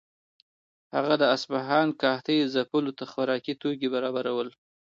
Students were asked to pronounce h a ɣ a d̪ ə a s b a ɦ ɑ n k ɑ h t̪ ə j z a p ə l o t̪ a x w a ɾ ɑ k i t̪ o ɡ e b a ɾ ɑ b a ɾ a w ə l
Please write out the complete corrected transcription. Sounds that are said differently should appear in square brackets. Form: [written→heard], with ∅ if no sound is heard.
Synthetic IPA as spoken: h a ɣ a d̪ ə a s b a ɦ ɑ n k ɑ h t̪ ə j z a p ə l o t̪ a x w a ɾ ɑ k i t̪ o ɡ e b a ɾ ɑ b a ɾ a w ə l